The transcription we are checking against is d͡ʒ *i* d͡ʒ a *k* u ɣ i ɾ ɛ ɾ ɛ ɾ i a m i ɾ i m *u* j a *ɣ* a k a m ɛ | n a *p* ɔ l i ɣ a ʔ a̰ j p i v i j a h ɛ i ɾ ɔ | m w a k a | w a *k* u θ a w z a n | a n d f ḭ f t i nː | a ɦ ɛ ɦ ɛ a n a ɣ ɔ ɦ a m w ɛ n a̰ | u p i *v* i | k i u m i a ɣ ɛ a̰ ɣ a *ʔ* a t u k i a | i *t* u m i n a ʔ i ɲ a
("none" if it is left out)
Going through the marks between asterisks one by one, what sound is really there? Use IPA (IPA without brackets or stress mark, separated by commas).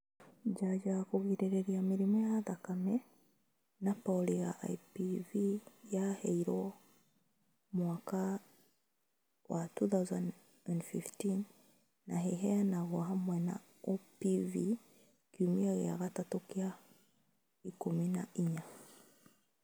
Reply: a, k, ɔ, ð, p, t, v, t, k